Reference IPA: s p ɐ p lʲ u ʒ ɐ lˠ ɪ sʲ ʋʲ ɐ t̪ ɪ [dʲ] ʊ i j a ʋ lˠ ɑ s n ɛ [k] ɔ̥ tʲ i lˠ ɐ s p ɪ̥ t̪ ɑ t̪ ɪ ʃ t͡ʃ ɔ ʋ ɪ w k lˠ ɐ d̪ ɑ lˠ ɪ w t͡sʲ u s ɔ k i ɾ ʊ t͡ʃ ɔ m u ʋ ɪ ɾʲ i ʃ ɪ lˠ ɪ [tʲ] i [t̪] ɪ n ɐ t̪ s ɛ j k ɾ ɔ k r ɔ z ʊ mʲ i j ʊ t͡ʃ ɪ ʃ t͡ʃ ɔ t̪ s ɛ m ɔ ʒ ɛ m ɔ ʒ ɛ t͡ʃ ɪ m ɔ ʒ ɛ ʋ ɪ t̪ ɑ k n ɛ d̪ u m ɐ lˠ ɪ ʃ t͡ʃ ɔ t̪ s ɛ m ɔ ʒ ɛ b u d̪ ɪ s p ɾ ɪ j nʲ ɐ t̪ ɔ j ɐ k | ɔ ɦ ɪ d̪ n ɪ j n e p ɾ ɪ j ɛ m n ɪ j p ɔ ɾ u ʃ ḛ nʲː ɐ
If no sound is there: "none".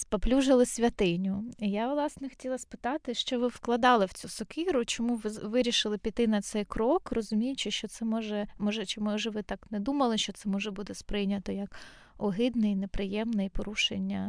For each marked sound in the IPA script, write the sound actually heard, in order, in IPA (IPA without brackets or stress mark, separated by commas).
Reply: nʲ, x, pʲ, t̪